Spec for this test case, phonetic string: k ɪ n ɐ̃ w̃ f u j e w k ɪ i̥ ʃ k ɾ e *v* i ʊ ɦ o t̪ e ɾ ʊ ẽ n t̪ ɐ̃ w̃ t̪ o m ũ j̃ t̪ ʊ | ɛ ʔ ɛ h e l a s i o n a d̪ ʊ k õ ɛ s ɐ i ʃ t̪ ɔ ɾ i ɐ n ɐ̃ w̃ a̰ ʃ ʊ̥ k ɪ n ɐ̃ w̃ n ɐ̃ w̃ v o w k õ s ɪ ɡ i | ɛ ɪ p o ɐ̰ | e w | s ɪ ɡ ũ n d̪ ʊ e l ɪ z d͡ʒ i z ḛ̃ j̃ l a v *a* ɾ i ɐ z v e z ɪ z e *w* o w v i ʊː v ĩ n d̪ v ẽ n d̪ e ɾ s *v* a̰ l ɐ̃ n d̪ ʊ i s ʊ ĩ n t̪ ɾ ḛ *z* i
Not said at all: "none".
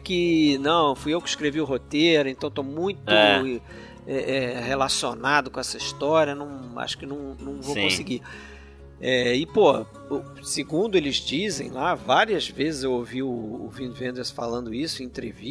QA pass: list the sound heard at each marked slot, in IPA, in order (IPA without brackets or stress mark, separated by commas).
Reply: v, a, w, f, v